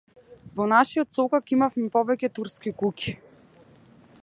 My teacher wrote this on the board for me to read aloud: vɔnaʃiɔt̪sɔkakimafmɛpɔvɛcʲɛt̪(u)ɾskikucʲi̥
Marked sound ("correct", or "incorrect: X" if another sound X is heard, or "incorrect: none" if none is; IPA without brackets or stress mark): correct